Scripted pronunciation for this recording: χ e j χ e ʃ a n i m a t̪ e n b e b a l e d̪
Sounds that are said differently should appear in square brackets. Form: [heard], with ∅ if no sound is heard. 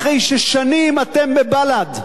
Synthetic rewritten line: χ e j [ʃ] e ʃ a n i m a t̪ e [m] b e b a l [a] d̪